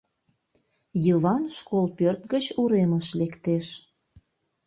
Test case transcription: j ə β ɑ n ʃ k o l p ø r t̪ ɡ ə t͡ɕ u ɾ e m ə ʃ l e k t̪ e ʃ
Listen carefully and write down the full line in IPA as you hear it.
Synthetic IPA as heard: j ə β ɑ n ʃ k o l p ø r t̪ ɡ ə t͡ɕ u ɾ e m ə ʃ l e k t̪ e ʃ